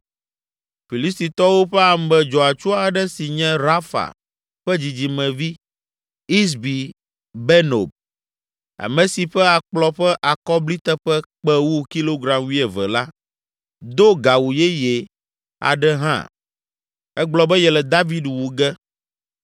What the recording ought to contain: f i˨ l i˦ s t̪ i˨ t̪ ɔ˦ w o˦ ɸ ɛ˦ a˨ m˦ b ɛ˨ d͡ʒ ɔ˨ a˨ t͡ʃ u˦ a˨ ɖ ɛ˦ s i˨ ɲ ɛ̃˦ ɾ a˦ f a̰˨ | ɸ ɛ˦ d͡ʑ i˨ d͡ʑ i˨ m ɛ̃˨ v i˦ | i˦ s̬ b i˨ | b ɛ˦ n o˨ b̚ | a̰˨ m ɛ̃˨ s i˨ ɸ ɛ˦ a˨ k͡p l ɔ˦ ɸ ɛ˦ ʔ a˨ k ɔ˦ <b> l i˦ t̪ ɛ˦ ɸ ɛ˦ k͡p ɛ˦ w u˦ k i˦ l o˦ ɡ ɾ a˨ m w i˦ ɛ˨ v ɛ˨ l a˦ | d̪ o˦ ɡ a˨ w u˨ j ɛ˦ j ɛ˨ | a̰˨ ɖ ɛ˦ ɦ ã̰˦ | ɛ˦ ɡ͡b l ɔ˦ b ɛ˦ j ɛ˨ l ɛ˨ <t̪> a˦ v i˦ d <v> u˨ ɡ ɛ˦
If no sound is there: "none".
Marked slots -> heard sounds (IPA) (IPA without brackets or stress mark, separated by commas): b, d̪, w